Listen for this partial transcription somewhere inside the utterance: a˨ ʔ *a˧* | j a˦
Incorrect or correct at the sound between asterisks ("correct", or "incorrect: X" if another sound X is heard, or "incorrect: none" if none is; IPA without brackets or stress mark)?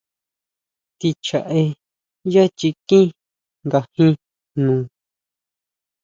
incorrect: e˧